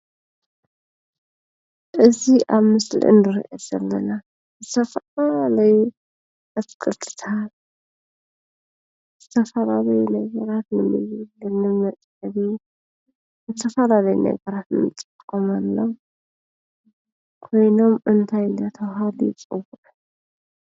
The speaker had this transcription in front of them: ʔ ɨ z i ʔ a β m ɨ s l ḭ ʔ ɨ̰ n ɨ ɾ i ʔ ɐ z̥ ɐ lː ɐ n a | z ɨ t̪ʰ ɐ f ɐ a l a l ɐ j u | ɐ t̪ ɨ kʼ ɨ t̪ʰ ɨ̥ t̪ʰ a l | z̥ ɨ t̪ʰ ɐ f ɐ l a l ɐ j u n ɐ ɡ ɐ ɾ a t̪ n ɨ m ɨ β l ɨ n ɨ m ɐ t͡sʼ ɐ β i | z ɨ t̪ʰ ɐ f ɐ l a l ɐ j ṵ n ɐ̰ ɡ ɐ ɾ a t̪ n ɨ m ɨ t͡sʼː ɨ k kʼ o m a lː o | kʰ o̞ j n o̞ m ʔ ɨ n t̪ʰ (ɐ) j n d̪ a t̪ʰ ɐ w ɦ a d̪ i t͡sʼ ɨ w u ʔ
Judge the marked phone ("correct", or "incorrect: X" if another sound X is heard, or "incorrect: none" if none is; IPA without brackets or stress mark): incorrect: a